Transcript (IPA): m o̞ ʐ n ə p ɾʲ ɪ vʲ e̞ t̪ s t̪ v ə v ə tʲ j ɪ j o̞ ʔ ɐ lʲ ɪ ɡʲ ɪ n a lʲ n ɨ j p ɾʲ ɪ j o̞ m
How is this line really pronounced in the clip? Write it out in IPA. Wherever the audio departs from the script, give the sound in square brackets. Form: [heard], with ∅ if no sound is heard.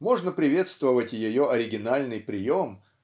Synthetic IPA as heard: m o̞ ʐ n ə p ɾʲ ɪ vʲ e̞ t̪ s t̪ v ə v ə tʲ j ɪ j o̞ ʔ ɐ [ɾʲ] ɪ ɡʲ ɪ n a lʲ n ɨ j p ɾʲ ɪ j o̞ m